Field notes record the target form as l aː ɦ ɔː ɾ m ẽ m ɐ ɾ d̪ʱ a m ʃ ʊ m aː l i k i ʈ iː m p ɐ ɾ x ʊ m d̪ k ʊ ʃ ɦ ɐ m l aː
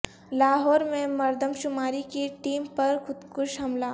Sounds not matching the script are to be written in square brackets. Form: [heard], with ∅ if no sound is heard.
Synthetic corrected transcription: l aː ɦ ɔː ɾ m ẽ m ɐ ɾ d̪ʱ [ə] m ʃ ʊ m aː [ɾ] i k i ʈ iː m p ɐ ɾ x ʊ [∅] d̪ k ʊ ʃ ɦ ɐ m l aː